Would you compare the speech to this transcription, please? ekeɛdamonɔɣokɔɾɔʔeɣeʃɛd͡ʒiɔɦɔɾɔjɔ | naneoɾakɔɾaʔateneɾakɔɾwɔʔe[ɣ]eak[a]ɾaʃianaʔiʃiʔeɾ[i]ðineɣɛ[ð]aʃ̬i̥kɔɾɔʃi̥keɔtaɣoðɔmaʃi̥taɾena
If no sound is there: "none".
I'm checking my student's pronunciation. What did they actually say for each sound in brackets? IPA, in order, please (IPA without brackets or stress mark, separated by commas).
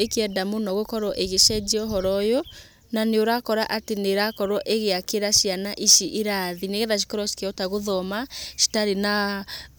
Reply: ɣ, e, a, ð